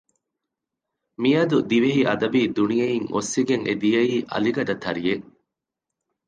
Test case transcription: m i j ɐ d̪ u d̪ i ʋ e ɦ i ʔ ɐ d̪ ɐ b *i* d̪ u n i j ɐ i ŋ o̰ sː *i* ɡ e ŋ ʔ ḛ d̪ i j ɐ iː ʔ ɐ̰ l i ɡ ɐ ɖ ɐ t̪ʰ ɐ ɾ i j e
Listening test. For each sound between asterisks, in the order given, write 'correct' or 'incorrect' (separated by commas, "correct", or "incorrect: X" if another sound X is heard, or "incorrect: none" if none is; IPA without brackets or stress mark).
incorrect: iː, correct